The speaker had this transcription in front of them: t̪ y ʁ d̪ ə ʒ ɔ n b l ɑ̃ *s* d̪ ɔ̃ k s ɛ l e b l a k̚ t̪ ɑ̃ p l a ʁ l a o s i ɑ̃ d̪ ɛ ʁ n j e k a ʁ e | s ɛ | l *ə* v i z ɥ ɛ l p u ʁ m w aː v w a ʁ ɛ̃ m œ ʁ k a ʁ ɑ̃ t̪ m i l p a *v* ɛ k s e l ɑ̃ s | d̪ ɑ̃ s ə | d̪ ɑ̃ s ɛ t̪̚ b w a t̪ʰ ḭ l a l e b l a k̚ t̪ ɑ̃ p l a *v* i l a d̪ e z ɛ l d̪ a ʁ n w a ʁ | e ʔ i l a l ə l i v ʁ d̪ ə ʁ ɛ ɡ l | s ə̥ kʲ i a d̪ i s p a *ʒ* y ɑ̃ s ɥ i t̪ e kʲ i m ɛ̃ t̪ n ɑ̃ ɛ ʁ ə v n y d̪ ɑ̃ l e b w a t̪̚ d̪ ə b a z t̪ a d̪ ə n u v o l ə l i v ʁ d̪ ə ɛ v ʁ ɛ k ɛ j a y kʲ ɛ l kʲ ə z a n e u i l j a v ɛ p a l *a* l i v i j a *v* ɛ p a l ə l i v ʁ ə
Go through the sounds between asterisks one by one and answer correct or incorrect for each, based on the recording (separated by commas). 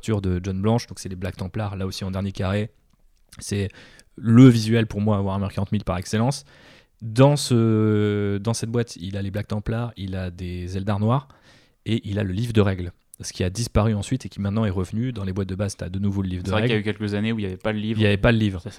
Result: incorrect, correct, incorrect, incorrect, incorrect, incorrect, correct